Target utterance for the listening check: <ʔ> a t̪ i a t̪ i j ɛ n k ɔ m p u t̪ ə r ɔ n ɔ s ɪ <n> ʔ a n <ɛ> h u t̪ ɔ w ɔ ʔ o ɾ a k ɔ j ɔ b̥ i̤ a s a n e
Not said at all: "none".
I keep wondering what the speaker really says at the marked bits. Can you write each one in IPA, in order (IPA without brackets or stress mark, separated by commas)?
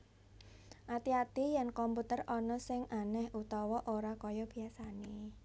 ʔ, ŋ, ɛ